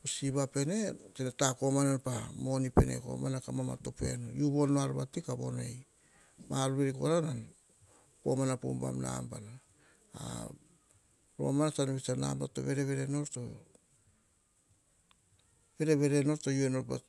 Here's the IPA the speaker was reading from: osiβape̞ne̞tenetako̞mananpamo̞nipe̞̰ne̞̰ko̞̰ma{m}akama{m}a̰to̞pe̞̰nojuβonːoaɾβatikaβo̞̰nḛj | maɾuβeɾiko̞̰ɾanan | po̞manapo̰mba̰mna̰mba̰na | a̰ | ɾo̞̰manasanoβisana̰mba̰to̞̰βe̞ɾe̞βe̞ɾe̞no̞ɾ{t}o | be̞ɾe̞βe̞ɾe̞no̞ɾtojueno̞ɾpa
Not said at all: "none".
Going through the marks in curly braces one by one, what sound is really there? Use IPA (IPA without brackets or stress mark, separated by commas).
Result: n, m, t